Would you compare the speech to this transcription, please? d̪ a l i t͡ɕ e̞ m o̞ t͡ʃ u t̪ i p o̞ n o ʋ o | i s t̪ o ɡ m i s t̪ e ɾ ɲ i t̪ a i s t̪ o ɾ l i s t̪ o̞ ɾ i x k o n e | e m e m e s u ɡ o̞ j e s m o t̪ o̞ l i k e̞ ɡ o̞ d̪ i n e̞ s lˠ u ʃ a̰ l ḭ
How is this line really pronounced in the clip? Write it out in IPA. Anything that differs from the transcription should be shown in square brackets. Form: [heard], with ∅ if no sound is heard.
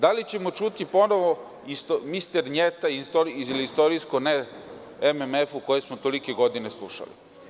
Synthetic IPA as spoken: d̪ a l i t͡ɕ e̞ m o̞ t͡ʃ u t̪ i p o̞ n o ʋ o | i s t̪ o [∅] m i s t̪ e ɾ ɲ [e] t̪ a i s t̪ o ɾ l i s t̪ o̞ ɾ i [s] k o n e | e m e m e [f] u [k] o̞ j e s m o t̪ o̞ l i k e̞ ɡ o̞ d̪ i n e̞ s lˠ u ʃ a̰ l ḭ

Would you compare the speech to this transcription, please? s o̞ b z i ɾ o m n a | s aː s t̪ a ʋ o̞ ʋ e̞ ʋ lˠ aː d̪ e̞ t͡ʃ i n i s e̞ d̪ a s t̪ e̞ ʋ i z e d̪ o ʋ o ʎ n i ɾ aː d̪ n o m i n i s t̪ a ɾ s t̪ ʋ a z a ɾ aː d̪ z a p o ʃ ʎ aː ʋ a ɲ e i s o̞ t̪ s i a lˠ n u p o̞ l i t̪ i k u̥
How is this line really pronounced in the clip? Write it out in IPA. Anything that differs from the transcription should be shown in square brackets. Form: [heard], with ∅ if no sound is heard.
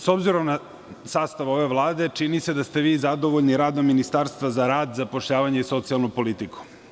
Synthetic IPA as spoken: s o̞ b z i ɾ o m n a | s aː s t̪ a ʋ o̞ ʋ e̞ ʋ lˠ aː d̪ e̞ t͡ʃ i n i s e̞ d̪ a s t̪ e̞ ʋ [iː] z [a] d̪ o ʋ o ʎ n i ɾ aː d̪ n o m i n i s t̪ a ɾ s t̪ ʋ a z a ɾ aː d̪ z a p o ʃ ʎ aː ʋ a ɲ e i s o̞ t̪ s i a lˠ n u p o̞ l i t̪ i k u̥

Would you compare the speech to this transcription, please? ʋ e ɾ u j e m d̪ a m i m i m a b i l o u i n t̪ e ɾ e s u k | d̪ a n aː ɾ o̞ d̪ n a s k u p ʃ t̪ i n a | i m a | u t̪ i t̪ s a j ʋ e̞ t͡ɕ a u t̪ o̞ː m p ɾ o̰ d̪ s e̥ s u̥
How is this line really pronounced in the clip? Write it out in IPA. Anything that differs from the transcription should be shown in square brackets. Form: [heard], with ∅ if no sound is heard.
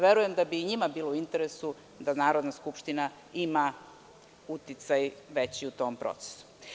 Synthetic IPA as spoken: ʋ e ɾ u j e m d̪ a [b] i [ɲ] i m a b [iː] l o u i n t̪ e ɾ e s u [∅] | d̪ a n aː ɾ o̞ d̪ n a s k u p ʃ t̪ i n a | i m a | u t̪ i t̪ s a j ʋ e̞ t͡ɕ [i] u t̪ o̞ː m p ɾ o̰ [t̪] s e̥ s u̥

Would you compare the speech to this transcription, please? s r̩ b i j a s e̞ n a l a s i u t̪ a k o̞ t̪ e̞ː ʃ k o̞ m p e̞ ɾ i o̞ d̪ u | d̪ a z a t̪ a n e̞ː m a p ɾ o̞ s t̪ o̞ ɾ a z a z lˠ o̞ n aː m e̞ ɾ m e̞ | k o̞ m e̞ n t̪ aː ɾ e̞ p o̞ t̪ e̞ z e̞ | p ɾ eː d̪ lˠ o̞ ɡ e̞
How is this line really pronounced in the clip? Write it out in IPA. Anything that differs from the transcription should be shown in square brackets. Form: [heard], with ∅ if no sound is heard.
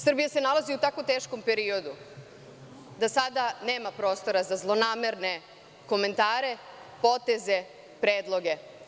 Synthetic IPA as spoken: s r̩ b i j a s e̞ n a l a [z] i u t̪ a k o̞ t̪ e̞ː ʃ k o̞ m p e̞ ɾ i o̞ d̪ u | d̪ a [s] a [d̪] a n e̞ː m a p ɾ o̞ s t̪ o̞ ɾ a z a z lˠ o̞ n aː m e̞ ɾ [n] e̞ | k o̞ m e̞ n t̪ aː ɾ e̞ p o̞ t̪ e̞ z e̞ | p ɾ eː d̪ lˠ o̞ ɡ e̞

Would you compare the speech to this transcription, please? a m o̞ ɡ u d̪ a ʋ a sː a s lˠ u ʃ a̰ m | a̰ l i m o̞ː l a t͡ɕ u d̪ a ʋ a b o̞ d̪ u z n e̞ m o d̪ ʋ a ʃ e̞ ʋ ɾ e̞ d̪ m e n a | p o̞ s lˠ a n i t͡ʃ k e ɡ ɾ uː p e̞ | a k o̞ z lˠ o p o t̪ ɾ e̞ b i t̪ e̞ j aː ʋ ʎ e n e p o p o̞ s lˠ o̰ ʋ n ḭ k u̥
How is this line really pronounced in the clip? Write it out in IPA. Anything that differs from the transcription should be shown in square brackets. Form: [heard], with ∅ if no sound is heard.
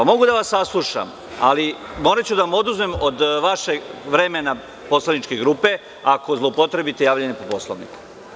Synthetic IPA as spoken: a m o̞ ɡ u d̪ a ʋ a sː a s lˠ u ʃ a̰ m | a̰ l i m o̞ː [ɾ] a t͡ɕ u d̪ a ʋ a [m] o̞ d̪ u z [m] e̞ m o d̪ ʋ a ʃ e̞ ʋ ɾ e̞ [∅] m e n a | p o̞ s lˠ a n i t͡ʃ k e ɡ ɾ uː p e̞ | a k o̞ z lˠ o p o t̪ ɾ e̞ b i t̪ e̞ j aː ʋ ʎ e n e p o p o̞ s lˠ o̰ ʋ n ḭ k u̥

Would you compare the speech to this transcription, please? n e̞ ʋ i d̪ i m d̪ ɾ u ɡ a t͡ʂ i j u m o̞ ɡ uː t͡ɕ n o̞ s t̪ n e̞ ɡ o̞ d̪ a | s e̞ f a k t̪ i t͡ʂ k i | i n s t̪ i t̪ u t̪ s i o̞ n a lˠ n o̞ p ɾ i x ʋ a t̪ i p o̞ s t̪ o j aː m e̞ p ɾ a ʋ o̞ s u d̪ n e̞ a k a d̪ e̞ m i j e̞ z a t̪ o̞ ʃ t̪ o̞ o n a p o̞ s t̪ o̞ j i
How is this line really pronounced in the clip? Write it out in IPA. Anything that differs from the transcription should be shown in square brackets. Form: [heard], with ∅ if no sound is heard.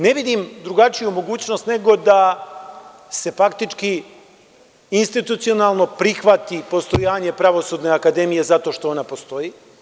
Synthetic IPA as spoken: n e̞ ʋ i d̪ i m d̪ ɾ u ɡ a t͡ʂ i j u m o̞ ɡ uː t͡ɕ n o̞ s t̪ n e̞ ɡ o̞ d̪ a | s e̞ f a k t̪ i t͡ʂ k i | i n s t̪ i t̪ u t̪ s i o̞ n a lˠ n o̞ p ɾ i x ʋ a t̪ i p o̞ s t̪ o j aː [ɲ] e̞ p ɾ a ʋ o̞ s u d̪ n e̞ a k a d̪ e̞ m i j e̞ z a t̪ o̞ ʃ t̪ o̞ o n a p o̞ s t̪ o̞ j i

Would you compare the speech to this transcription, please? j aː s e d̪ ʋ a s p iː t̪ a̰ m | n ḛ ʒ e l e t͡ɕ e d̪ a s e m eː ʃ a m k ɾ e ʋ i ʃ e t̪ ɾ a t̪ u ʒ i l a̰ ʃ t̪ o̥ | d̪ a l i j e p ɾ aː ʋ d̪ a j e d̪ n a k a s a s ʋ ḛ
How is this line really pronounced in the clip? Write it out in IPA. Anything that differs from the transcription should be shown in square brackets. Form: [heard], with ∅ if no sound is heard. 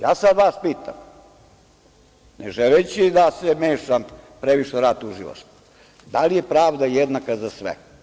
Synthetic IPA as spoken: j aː s [a] d̪ ʋ a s p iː t̪ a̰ m | n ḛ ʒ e l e t͡ɕ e d̪ a s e m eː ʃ a m [p] ɾ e ʋ i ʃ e [∅] ɾ a t̪ u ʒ i l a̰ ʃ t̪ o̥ | d̪ a l i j e p ɾ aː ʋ d̪ a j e d̪ n a k a [z] a s ʋ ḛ

